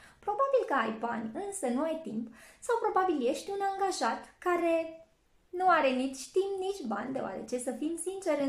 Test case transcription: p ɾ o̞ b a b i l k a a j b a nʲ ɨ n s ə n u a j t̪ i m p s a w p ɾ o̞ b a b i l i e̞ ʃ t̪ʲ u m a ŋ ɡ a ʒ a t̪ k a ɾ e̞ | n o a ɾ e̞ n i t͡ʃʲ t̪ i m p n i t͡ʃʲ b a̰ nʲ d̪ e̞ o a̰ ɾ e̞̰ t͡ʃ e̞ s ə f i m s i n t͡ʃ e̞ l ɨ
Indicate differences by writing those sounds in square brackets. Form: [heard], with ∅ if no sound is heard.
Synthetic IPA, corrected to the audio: p ɾ o̞ b a b i l k [ə] a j b a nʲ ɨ n s ə n u a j t̪ i m p s a w p ɾ o̞ b a b i l [j] e̞ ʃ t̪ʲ u [n] a ŋ ɡ a ʒ a t̪ k a ɾ e̞ | n [u] a ɾ e̞ n i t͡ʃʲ t̪ i m p n i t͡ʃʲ b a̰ nʲ d̪ e̞ o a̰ ɾ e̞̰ t͡ʃ e̞ s ə f i m s i n t͡ʃ e̞ [ɾ] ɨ